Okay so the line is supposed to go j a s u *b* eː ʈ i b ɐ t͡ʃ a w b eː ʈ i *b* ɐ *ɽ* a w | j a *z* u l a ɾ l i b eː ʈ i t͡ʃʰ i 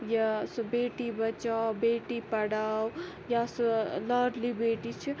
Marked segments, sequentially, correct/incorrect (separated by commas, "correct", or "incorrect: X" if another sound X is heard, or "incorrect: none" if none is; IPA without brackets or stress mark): correct, incorrect: p, correct, incorrect: s